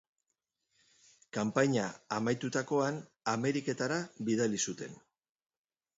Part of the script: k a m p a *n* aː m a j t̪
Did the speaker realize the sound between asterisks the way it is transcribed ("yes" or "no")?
no